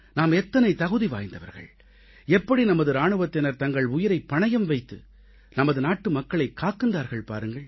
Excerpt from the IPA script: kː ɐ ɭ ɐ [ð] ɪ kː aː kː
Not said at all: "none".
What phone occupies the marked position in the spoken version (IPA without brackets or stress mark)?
none